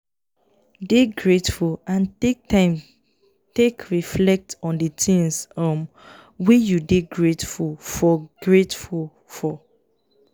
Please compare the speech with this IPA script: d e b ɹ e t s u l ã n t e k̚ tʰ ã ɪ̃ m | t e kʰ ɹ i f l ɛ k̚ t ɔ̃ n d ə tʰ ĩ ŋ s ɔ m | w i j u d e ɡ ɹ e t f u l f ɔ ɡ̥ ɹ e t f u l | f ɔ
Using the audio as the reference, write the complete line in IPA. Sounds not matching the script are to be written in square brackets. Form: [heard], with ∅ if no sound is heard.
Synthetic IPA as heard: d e [ɡ] ɹ e t [f] u l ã n t e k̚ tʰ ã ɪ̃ m | t e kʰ ɹ i f l ɛ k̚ t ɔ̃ n d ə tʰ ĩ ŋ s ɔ m | w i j u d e ɡ ɹ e t f u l f ɔ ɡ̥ ɹ e t f u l | f ɔ